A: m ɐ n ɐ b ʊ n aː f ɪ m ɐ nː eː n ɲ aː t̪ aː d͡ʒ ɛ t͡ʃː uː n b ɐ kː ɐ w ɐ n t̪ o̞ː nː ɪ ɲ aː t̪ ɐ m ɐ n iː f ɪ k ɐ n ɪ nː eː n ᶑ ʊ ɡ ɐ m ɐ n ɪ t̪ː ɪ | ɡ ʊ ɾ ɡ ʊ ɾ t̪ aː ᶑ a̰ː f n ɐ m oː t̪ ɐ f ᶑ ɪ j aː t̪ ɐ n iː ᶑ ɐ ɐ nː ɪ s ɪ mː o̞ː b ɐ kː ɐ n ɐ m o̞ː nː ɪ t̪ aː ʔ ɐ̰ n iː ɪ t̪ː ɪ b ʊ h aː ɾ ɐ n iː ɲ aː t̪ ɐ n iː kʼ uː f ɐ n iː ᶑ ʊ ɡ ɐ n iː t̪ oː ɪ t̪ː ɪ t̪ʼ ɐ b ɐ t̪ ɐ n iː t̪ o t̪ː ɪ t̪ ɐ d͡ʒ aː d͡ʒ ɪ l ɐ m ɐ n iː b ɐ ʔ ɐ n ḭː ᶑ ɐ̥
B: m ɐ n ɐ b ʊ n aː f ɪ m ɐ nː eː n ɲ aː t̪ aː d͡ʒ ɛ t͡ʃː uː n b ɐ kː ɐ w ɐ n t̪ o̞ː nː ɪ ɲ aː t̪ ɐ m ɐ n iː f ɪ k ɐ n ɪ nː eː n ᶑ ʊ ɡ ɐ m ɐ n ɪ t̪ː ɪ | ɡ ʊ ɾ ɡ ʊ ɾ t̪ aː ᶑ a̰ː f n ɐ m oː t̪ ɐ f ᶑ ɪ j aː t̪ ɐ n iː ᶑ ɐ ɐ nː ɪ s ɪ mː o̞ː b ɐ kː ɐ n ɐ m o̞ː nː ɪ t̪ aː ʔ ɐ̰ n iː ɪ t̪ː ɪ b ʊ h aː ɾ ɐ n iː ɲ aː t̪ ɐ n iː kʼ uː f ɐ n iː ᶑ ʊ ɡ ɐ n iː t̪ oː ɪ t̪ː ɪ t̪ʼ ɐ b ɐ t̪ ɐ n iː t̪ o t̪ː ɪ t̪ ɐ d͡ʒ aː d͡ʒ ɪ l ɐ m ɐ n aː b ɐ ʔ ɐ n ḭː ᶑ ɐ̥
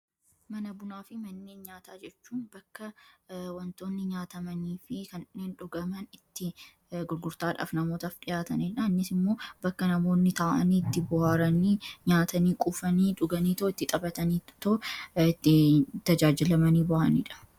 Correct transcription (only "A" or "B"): A